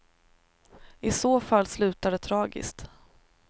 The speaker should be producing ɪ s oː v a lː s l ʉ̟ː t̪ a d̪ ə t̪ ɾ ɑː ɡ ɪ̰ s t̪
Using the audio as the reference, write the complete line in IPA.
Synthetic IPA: ɪ s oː f a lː s l ʉ̟ː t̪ a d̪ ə t̪ʰ ɾ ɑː ɡ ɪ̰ s t̪

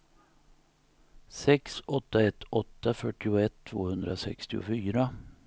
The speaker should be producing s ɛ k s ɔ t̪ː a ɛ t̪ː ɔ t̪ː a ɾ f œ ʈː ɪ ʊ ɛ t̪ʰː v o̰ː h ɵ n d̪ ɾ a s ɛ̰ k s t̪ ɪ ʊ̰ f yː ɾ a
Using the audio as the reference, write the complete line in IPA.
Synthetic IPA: s ɛ k s ɔ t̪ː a ɛ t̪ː ɔ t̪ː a f œ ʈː ɪ ʊ ɛ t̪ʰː v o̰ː h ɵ n d̪ ɾ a s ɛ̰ k s t̪ ɪ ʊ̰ f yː ɾ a

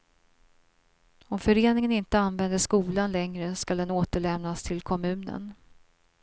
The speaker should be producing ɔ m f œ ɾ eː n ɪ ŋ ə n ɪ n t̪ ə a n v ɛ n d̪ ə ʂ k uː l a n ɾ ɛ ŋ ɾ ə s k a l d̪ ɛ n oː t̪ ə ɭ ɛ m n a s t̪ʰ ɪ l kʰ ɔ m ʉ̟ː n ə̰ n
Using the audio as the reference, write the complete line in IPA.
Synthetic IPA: ɔ m f œ ɾ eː n ɪ ŋ ə n ɪ n t̪ ə a n v ɛ n d̪ ə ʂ k uː l a n l ɛ ŋ ɾ ə s k a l d̪ ɛ n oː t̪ ə ɭ ɛ m n a s t̪ʰ ɪ l kʰ ɔ m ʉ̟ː n ə̰ n

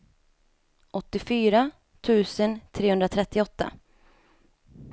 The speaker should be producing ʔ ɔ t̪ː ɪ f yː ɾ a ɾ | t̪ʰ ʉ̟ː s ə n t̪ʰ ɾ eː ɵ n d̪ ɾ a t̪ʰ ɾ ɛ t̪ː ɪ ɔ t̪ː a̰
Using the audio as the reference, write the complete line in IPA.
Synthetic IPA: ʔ ɔ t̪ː ɪ f yː ɾ a | t̪ʰ ʉ̟ː s ə n t̪ʰ ɾ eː ɵ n d̪ ɾ a t̪ʰ ɾ ɛ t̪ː ɪ ɔ t̪ː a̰

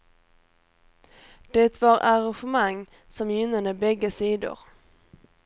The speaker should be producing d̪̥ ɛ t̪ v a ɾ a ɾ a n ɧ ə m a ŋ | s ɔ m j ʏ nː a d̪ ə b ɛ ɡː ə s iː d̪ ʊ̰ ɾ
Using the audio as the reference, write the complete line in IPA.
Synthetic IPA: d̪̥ ɛ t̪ v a ɾ a ɾ a n ɧ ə m a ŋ | s ɔ m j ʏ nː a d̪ ə b ɛ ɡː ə s iː d̪ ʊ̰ ɾ

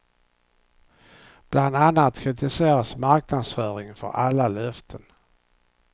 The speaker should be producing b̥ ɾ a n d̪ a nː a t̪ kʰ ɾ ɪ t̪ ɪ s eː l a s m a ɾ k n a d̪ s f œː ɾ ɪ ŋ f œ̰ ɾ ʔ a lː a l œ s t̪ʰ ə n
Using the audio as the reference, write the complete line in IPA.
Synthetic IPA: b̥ l a n d̪ a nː a t̪ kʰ ɾ ɪ t̪ ɪ s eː ɾ a s m a ɾ k n a d̪ s f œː ɾ ɪ ŋ f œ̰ ɾ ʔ a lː a l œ f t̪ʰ ə n

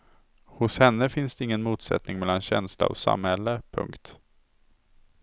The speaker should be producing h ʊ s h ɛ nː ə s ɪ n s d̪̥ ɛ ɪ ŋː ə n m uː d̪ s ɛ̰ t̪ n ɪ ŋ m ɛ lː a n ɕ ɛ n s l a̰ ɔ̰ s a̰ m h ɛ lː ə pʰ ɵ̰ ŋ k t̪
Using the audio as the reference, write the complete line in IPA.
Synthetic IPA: h ʊ s h ɛ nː ə f ɪ n s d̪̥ ɛ ɪ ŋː ə n m uː t̪ s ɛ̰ t̪ n ɪ ŋ m ɛ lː a n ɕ ɛ n s l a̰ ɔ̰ s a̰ m h ɛ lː ə pʰ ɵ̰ ŋ k t̪

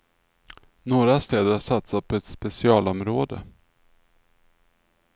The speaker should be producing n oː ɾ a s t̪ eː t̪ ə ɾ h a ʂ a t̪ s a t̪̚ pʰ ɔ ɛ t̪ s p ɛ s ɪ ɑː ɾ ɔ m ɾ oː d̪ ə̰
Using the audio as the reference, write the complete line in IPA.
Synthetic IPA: n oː ɾ a s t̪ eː d̪ ə ɾ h a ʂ a t̪ s a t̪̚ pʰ ɔ ɛ t̪ s p ɛ s ɪ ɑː l ɔ m ɾ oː d̪ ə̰

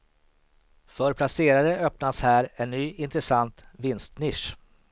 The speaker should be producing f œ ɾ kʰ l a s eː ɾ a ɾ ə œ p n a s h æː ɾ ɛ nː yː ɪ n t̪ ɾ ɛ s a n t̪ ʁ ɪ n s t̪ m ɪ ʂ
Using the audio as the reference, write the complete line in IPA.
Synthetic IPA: f œ ɾ pʰ l a s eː ɾ a ɾ ə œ p n a s h æː ɾ ɛ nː yː ɪ n t̪ ɾ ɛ s a n t̪ v ɪ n s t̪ n ɪ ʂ

